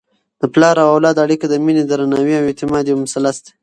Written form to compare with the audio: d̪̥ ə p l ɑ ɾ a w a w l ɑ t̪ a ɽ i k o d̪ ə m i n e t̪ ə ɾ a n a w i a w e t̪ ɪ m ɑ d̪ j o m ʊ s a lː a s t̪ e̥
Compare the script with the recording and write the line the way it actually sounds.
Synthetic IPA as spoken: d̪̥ ə p l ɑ ɾ a w a w l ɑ d̪ a ɽ i k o d̪ ə m i n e d̪ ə ɾ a n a w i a w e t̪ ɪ m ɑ d̪ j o m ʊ s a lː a s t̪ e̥